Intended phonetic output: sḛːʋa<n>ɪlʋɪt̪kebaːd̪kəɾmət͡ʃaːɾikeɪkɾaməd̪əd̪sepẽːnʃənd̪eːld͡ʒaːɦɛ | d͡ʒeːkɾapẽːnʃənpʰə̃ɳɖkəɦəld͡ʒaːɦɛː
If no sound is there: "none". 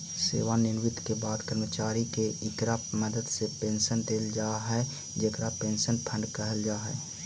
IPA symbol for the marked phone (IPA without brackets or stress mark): n